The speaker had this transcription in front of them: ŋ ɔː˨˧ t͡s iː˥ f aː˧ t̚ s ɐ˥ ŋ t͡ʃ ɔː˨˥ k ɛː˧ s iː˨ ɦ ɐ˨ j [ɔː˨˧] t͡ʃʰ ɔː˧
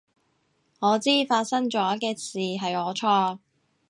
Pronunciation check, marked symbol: correct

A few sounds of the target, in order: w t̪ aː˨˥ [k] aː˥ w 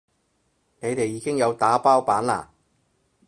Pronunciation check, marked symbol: incorrect: p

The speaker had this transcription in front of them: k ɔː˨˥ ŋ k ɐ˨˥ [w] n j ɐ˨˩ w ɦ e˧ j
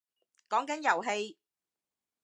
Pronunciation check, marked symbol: incorrect: none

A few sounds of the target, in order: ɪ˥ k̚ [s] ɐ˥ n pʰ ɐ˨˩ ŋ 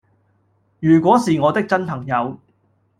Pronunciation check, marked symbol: incorrect: t͡s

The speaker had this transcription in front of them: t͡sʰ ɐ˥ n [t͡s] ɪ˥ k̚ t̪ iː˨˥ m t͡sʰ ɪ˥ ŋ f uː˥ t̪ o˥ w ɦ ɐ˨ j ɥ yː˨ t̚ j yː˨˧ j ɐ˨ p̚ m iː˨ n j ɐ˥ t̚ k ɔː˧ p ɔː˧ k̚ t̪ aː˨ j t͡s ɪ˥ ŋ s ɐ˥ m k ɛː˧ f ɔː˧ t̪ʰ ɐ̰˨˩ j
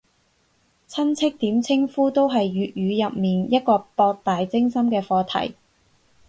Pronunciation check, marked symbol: incorrect: t͡sʰ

